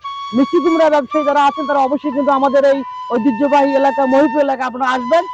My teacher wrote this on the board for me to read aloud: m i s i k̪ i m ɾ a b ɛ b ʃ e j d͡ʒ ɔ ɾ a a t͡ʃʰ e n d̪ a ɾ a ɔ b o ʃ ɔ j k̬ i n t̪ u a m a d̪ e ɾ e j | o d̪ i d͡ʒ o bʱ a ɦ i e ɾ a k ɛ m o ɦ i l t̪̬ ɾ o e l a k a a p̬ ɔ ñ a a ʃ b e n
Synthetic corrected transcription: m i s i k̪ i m ɾ a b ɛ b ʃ a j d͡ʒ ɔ ɾ a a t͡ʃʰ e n t̪ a ɾ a ɔ b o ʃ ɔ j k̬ i n t̪ u a m a d̪ e ɾ e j | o d̪ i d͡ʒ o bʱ a ɦ i e l a k a m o ɦ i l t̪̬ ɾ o e l a k a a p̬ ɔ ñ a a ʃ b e n